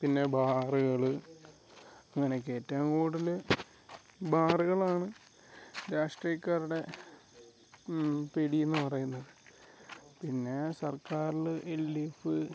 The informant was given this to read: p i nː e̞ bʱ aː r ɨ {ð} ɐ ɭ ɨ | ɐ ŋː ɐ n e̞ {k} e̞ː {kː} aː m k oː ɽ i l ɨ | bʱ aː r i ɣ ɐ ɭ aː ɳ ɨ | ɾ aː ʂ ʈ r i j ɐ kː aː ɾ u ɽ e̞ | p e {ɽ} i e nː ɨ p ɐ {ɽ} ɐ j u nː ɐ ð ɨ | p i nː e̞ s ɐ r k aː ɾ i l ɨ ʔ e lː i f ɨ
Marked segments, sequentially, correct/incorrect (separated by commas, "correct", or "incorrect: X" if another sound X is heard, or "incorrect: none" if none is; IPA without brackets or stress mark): incorrect: ɣ, correct, incorrect: tː, correct, incorrect: r